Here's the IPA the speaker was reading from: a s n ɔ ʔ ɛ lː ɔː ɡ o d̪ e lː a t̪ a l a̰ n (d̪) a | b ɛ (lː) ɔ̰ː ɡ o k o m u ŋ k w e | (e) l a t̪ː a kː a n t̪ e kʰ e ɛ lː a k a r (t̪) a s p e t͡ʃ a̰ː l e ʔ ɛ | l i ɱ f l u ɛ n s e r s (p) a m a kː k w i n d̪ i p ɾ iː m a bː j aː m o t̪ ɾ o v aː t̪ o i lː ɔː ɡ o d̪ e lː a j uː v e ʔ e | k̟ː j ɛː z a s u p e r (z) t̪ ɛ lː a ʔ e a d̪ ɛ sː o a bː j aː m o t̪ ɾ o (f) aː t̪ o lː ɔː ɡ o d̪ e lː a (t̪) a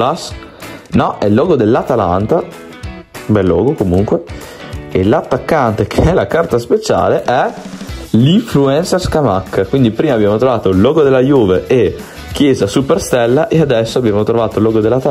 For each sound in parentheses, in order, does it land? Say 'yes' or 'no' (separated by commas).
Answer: no, yes, yes, yes, no, no, no, yes